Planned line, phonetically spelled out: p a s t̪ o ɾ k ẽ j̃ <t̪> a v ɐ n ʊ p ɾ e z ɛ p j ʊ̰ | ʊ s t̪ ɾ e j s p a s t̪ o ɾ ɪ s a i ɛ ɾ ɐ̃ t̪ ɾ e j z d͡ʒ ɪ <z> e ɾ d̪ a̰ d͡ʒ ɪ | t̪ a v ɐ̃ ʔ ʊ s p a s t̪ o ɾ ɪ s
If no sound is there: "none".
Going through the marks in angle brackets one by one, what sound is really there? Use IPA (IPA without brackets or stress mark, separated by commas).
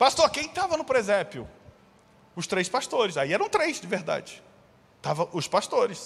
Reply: t̪, v